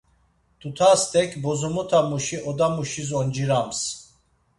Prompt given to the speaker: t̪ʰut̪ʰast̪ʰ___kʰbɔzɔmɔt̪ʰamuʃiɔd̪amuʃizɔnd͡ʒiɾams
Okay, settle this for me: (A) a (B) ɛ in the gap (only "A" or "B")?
B